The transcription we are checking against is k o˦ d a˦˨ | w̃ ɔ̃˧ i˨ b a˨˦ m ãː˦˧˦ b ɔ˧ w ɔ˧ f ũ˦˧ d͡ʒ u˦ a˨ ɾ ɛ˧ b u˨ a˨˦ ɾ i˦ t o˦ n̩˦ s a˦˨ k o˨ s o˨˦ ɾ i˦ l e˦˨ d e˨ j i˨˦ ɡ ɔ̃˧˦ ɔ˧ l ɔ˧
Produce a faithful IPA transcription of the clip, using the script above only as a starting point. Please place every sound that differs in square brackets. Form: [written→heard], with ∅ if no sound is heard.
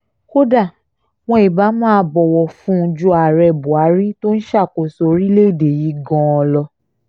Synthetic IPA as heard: k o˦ d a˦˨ | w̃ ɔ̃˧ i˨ b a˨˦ m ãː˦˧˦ b ɔ˧ w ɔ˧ f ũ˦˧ d͡ʒ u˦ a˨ ɾ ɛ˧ b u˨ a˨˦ ɾ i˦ t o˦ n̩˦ [s→ʃ] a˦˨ k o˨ s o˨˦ ɾ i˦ l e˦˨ d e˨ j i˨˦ ɡ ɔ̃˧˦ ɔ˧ l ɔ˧